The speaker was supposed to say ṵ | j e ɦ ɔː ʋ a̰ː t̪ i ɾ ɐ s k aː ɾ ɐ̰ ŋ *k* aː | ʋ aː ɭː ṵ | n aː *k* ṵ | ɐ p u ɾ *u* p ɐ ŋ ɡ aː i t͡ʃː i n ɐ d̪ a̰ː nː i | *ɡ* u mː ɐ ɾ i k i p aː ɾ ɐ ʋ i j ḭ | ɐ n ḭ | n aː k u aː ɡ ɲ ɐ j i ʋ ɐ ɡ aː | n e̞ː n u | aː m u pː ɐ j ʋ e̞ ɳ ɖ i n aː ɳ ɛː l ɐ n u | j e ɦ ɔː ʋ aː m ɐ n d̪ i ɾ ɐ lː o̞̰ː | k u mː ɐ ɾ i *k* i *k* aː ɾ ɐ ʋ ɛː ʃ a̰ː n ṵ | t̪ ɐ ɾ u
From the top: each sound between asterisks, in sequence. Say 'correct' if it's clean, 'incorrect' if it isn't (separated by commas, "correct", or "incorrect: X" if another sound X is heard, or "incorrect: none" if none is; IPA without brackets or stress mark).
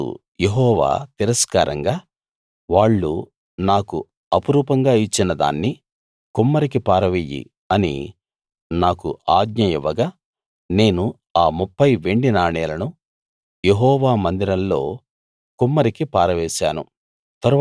incorrect: ɡ, correct, incorrect: uː, incorrect: k, correct, incorrect: p